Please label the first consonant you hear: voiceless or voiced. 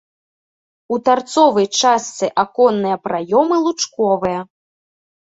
voiceless